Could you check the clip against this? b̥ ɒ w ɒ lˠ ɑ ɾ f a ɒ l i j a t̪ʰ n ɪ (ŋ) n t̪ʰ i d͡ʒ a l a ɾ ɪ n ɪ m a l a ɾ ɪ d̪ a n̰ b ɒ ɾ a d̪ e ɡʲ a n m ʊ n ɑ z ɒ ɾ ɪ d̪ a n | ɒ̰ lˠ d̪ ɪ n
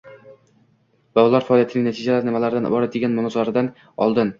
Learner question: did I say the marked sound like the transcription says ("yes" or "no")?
yes